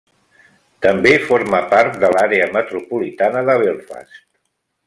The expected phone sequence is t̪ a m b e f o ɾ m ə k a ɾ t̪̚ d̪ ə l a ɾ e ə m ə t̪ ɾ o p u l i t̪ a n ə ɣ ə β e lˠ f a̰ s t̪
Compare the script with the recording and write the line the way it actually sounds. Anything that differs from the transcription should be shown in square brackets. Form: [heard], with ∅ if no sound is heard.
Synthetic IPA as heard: t̪ [ə] m b e f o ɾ m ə [p] a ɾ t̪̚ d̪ ə l a ɾ e ə m ə t̪ ɾ [u] p u l i t̪ a n ə [ð] ə β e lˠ f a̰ s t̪